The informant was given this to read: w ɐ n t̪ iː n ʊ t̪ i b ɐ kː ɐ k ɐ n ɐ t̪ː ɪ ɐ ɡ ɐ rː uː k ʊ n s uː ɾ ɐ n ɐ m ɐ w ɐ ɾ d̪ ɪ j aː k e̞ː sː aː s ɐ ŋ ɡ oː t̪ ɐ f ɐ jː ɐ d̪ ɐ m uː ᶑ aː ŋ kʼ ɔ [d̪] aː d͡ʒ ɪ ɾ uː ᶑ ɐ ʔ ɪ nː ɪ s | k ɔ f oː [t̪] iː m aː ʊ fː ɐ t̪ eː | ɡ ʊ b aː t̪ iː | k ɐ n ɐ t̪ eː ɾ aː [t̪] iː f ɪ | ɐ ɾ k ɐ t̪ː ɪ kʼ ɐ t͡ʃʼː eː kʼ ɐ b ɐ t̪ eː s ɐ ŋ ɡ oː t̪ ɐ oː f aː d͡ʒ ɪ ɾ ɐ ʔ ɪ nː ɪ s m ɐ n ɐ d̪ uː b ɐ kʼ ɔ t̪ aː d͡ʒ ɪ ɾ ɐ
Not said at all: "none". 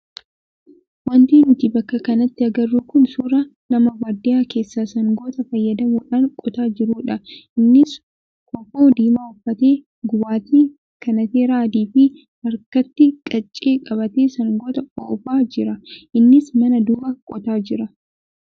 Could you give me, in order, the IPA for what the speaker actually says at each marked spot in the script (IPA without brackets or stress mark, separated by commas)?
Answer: t̪, d̪, d̪